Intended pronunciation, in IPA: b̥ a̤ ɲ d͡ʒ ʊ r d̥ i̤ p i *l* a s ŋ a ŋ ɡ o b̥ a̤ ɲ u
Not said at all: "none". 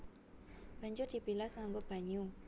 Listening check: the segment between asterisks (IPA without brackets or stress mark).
l